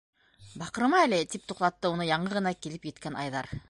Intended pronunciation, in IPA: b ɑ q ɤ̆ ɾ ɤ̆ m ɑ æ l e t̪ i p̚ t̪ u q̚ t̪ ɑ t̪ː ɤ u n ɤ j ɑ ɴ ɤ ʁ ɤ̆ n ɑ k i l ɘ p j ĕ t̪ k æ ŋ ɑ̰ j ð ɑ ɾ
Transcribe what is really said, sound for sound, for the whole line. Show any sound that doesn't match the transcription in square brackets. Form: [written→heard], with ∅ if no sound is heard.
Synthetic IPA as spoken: b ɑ q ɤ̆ ɾ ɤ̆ m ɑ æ l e t̪ i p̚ t̪ u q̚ t̪ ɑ t̪ː ɤ u n ɤ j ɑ ɴ ɤ ʁ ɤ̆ n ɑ k i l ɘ p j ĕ t̪ k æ [ŋ→n] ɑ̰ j ð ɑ ɾ

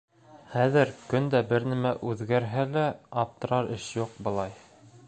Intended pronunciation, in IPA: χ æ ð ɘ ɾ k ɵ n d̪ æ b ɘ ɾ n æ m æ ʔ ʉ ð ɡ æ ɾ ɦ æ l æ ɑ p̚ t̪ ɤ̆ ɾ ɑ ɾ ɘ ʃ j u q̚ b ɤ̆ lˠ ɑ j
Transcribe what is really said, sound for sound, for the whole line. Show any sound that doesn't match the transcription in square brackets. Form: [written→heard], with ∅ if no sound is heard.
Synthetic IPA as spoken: χ æ ð ɘ ɾ k ɵ n d̪ æ b ɘ ɾ n æ m æ ʔ ʉ ð ɡ æ ɾ ɦ æ l æ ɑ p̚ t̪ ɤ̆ ɾ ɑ ɾ ɘ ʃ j u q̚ b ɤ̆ lˠ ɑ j

